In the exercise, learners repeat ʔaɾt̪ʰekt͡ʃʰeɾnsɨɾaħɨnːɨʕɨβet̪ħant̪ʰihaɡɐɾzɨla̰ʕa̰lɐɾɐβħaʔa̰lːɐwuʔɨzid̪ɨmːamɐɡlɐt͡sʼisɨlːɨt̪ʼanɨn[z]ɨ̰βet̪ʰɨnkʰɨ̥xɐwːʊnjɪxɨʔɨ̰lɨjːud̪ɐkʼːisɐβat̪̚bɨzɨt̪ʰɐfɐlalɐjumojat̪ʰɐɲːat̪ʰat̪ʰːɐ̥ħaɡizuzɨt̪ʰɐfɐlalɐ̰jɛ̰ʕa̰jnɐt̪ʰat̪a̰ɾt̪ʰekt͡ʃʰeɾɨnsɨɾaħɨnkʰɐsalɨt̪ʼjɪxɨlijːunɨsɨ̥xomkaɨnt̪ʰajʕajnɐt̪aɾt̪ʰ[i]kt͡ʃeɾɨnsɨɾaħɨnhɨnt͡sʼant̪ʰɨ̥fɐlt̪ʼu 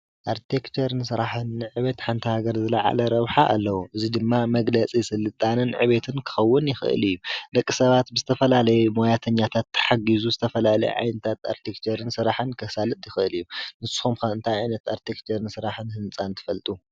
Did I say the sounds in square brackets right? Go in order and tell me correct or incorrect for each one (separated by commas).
incorrect, incorrect